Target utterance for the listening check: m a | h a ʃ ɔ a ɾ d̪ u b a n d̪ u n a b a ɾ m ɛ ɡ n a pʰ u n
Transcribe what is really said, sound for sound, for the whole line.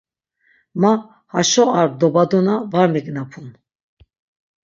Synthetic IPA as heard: m a | h a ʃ ɔ a ɾ d̪ ɔ b a d̪ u n a v a ɾ m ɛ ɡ n a pʰ u n